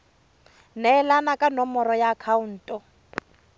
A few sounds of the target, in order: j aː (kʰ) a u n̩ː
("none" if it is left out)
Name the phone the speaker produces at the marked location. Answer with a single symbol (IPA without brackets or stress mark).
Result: kʰ